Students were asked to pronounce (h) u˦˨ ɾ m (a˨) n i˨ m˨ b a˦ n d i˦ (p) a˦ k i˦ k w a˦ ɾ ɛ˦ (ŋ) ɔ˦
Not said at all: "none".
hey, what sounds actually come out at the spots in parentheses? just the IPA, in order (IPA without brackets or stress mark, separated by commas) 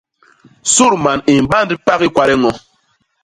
s, a˨, p, ŋ